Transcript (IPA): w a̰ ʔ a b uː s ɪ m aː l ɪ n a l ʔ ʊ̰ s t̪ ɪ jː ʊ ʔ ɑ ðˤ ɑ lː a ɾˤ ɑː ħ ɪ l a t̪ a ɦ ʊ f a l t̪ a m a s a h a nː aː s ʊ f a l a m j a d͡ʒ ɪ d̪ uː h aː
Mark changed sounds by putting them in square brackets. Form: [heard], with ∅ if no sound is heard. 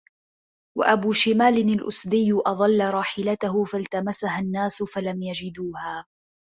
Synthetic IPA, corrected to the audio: w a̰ ʔ a b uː [ʃ] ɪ m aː l ɪ n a l ʔ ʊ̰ s [d̪] ɪ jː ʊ ʔ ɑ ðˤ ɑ lː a ɾˤ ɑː ħ ɪ l a t̪ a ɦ ʊ f a l t̪ a m a s a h a nː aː s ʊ f a l a m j a d͡ʒ ɪ d̪ uː h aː

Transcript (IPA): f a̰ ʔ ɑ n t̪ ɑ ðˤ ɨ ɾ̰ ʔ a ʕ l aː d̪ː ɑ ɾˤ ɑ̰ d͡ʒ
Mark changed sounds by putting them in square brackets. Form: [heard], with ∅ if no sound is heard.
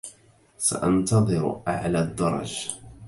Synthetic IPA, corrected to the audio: [s] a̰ ʔ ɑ n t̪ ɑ ðˤ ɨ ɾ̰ ʔ a ʕ l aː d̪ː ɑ ɾˤ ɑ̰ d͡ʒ

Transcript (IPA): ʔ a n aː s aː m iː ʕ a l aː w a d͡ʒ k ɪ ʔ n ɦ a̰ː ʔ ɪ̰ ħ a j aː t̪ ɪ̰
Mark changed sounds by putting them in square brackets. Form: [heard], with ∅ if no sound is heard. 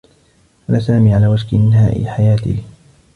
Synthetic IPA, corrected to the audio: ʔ a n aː s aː m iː ʕ a l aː w a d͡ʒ k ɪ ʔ n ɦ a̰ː ʔ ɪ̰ ħ a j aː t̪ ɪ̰

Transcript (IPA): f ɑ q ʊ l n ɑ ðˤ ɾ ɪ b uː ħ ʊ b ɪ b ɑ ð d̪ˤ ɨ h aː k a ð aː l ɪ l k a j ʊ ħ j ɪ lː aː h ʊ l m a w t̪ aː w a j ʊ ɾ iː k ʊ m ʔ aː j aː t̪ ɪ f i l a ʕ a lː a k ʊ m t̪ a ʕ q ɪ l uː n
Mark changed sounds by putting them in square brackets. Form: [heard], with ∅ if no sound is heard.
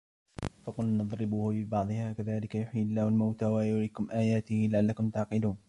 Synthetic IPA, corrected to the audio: f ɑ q ʊ l n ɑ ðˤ ɾ ɪ b uː [h] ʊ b ɪ b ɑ [ʕ] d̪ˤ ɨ h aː k a ð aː l ɪ [∅] k a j ʊ ħ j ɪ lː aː h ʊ l m a w t̪ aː w a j ʊ ɾ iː k ʊ m ʔ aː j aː t̪ ɪ [h] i l a ʕ a lː a k ʊ m t̪ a ʕ q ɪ l uː n

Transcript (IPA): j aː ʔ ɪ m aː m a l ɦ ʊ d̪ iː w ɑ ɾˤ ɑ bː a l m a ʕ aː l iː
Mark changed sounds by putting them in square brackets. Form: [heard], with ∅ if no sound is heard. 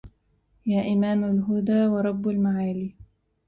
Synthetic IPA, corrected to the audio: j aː ʔ ɪ m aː m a l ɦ ʊ d̪ [aː] w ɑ ɾˤ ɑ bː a l m a ʕ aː l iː

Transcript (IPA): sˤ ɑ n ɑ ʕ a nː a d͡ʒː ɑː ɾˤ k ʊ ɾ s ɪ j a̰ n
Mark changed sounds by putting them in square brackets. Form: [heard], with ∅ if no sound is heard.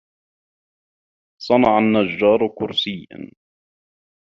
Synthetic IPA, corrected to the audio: sˤ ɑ n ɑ ʕ a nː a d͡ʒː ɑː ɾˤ k ʊ ɾ s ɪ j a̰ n

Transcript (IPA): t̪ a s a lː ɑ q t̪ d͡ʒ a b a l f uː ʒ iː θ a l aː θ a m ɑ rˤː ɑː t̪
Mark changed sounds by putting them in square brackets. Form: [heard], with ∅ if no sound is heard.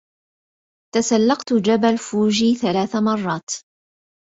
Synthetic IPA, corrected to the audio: t̪ a s a lː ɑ q t̪ d͡ʒ a b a l f uː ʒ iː θ a l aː θ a m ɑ rˤː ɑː t̪

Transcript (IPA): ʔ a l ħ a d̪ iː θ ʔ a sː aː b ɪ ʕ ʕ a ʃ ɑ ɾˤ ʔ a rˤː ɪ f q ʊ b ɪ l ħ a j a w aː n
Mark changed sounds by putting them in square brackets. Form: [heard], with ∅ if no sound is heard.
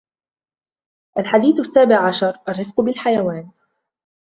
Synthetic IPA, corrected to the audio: ʔ a l ħ a d̪ iː θ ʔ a sː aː b ɪ ʕ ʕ a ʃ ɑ ɾˤ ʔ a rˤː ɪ f q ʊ b ɪ l ħ a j a w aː n

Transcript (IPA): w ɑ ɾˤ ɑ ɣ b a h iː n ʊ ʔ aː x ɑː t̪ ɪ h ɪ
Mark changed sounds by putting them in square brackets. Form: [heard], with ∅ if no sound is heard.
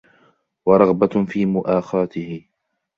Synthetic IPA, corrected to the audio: w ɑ ɾˤ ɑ ɣ b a [f] iː [m] ʊ ʔ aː x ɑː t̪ ɪ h ɪ

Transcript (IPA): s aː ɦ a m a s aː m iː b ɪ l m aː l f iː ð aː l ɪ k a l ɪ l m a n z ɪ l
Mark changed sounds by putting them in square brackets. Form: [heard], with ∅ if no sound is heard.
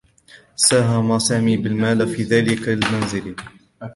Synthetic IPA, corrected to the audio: s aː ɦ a m a s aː m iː b ɪ l m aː l f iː ð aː l ɪ k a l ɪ l m a n z ɪ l

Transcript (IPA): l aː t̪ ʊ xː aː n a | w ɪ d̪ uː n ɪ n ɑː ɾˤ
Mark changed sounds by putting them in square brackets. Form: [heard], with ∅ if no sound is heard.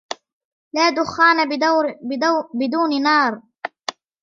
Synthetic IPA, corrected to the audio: l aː [d̪] ʊ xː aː n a | [b] ɪ d̪ uː n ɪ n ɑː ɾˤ

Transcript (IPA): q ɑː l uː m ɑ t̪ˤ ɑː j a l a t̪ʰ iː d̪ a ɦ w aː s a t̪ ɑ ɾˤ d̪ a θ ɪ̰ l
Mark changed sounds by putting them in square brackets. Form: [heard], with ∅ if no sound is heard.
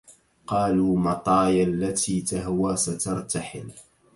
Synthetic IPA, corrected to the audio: q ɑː l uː m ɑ t̪ˤ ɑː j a [lː] a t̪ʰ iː [t̪] a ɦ w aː s a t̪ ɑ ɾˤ [t̪] a [ħ] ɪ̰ l

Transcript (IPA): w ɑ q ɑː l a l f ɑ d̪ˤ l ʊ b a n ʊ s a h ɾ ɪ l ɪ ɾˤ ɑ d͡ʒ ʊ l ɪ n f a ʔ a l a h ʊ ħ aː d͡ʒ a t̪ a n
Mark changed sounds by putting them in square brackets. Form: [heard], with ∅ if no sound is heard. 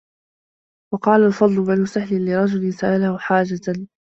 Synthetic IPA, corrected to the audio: w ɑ q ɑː l a l f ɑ d̪ˤ l ʊ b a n ʊ s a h [l] ɪ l ɪ ɾˤ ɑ d͡ʒ ʊ l ɪ n [s] a ʔ a l a h ʊ ħ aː d͡ʒ a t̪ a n

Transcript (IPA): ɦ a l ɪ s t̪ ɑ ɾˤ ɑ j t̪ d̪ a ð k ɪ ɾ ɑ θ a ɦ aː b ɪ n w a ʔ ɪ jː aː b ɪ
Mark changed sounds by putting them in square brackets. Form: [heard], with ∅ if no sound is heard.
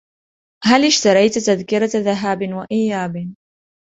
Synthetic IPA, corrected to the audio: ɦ a l ɪ [ʃ] t̪ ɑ ɾˤ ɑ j t̪ [t̪] a ð k ɪ ɾ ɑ [ð] a ɦ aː b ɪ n w a ʔ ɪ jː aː b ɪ

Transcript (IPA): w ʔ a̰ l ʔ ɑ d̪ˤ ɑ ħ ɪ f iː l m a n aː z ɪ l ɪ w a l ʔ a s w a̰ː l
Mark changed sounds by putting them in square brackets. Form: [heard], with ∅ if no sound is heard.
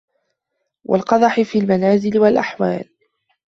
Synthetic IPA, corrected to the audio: w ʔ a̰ l [q] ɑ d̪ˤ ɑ ħ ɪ f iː l m a n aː z ɪ l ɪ w a l ʔ a [ħ] w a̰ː l

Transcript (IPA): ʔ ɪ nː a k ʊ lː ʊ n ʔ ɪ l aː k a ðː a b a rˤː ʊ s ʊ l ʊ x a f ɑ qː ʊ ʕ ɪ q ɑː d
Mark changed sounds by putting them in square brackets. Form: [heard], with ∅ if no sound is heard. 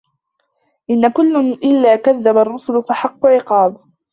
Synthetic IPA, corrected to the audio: ʔ ɪ nː a k ʊ lː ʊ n ʔ ɪ [lː] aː k a ðː a b a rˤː ʊ s ʊ l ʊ [f] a [ħ] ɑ qː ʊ ʕ ɪ q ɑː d

